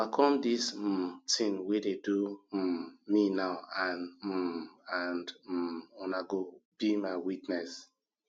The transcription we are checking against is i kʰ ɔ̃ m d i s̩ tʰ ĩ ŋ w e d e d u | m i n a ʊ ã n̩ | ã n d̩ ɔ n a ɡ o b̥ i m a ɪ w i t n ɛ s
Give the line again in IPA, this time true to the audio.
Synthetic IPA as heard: a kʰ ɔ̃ m d i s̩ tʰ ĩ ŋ w e d e d u | m i n a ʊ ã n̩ | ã n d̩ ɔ n a ɡ o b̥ i m a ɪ w i t n ɛ s